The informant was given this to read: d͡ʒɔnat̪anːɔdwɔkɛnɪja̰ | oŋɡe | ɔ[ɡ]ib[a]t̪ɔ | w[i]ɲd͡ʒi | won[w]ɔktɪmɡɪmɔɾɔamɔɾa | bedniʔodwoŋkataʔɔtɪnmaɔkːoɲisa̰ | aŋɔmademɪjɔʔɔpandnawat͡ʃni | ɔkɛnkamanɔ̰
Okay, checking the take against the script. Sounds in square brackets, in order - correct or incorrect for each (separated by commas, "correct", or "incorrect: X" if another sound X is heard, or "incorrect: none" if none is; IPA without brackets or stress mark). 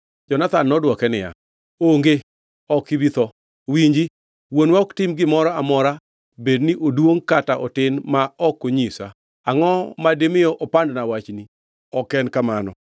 incorrect: k, incorrect: i, correct, correct